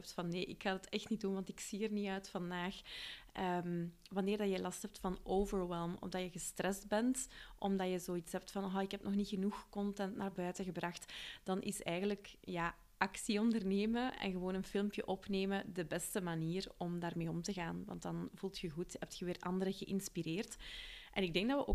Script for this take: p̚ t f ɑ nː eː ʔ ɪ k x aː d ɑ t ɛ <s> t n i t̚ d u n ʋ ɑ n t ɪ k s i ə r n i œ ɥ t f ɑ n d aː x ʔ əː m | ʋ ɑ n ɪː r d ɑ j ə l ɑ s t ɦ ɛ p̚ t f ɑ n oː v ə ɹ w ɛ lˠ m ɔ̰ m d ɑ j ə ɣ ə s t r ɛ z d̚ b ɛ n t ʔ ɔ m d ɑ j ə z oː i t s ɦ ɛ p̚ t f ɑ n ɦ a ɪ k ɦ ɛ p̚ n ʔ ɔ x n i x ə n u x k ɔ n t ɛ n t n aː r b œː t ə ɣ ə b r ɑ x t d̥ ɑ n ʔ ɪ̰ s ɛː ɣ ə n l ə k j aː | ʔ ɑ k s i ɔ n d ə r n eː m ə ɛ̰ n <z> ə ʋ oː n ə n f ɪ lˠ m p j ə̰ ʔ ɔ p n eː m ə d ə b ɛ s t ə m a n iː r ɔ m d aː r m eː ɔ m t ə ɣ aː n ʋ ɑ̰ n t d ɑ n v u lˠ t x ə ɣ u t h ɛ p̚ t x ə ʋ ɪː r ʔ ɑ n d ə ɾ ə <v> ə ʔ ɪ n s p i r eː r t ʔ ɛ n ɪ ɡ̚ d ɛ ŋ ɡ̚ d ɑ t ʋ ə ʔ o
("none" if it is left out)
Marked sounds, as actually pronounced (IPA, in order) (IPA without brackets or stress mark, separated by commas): x, ɣ, ɣ